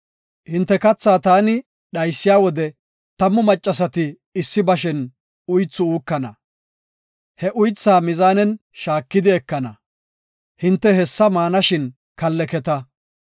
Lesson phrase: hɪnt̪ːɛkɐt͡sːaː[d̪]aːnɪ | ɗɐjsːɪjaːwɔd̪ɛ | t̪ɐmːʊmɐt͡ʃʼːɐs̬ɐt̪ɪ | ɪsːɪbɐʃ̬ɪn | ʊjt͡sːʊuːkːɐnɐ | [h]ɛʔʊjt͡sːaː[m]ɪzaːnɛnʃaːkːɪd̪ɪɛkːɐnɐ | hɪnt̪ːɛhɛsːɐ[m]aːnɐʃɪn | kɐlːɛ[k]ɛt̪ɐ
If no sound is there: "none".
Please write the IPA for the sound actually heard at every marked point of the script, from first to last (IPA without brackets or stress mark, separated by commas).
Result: t̪, h, m, m, k